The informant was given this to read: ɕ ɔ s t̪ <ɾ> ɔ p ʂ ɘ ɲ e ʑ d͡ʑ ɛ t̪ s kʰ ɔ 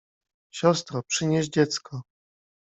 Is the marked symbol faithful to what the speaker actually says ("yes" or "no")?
yes